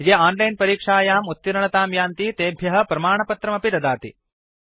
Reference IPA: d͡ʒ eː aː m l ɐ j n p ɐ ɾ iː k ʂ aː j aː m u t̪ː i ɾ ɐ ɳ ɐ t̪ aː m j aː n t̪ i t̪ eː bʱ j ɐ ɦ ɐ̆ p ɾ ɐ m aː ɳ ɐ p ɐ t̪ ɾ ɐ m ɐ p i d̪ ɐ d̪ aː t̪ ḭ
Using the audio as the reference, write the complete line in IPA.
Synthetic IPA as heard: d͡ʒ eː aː n l ɐ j n p ɐ ɾ iː k ʂ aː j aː m u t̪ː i ɾ ɐ ɳ ɐ t̪ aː m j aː n t̪ i t̪ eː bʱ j ɐ ɦ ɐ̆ p ɾ ɐ m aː ɳ ɐ p ɐ t̪ ɾ ɐ m ɐ p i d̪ ɐ d̪ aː t̪ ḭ